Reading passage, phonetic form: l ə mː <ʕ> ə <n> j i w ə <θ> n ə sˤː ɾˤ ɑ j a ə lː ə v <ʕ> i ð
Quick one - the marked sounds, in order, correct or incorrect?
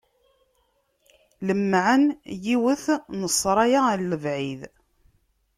correct, correct, correct, correct

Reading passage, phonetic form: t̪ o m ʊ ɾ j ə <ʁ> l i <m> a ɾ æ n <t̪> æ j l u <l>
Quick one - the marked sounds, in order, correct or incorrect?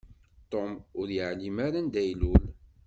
incorrect: ʕ, correct, incorrect: d̪, correct

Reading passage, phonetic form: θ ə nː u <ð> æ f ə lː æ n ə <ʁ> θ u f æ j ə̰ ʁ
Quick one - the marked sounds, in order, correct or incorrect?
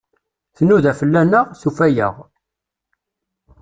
correct, correct

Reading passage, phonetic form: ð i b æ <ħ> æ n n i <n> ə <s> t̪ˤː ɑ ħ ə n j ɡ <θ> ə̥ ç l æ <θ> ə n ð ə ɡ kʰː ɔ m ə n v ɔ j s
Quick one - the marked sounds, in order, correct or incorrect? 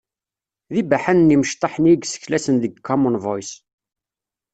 correct, incorrect: m, incorrect: ʃ, incorrect: s, incorrect: s

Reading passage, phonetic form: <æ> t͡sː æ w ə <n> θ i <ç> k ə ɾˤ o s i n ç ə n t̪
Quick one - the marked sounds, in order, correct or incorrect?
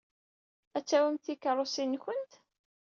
correct, incorrect: m, incorrect: none

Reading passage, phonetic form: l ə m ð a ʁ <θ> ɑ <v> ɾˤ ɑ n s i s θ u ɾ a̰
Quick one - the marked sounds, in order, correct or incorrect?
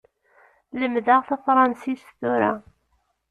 correct, incorrect: f

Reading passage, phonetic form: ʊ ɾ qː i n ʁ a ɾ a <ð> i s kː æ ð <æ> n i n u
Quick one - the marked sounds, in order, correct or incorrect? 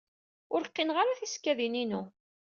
incorrect: θ, incorrect: i

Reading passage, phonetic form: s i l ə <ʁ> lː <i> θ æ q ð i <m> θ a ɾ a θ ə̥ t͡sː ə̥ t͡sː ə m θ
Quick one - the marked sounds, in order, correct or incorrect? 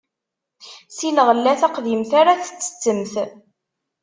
correct, incorrect: æ, correct

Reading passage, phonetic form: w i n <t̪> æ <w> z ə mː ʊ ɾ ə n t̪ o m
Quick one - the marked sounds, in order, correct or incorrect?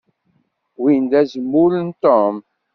incorrect: d̪, incorrect: none

